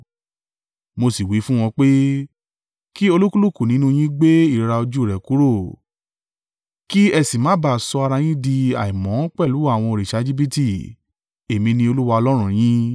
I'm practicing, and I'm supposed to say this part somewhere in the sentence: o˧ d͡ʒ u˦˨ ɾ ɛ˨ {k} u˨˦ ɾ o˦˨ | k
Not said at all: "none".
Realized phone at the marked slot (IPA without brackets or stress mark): k